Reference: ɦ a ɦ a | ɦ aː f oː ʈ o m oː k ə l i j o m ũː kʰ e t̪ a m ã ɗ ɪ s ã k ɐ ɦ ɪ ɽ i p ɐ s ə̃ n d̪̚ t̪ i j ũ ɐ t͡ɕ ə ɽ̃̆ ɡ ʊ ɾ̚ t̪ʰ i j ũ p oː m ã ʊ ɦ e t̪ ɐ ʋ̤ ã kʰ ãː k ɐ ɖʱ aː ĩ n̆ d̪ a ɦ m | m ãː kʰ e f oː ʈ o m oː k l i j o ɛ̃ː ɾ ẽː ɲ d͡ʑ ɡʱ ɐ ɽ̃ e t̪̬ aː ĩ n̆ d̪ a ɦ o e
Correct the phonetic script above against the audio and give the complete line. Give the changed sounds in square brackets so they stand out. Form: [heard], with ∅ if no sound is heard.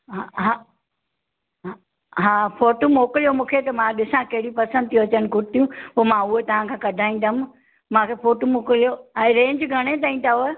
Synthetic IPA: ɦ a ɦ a | ɦ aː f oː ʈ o m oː k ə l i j o m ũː kʰ e t̪ [ɐ] m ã ɗ ɪ s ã k ɐ ɦ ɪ ɽ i p ɐ s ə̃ n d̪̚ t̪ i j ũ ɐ t͡ɕ ə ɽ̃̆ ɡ ʊ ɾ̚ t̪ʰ i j ũ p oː m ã ʊ ɦ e t̪ ɐ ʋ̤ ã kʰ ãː k ɐ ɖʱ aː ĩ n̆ d̪ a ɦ m | m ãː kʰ e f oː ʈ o m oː k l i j o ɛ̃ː ɾ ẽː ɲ d͡ʑ ɡʱ ɐ ɽ̃ e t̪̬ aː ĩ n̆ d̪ a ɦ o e

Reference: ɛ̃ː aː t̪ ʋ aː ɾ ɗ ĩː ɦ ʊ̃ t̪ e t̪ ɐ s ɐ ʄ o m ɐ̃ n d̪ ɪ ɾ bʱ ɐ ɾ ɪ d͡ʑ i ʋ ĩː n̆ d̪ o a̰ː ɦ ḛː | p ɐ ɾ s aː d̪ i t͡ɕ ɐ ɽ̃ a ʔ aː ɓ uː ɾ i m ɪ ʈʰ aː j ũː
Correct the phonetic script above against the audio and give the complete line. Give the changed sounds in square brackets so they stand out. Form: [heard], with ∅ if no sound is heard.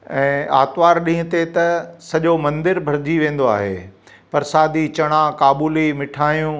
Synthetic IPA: ɛ̃ː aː t̪ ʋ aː ɾ ɗ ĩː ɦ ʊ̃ t̪ e t̪ ɐ s ɐ ʄ o m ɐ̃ n d̪ ɪ ɾ bʱ ɐ ɾ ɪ d͡ʑ i ʋ [ẽː] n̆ d̪ o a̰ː ɦ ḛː | p ɐ ɾ s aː d̪ i t͡ɕ ɐ ɽ̃ a [k] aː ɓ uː [l] i m ɪ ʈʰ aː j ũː

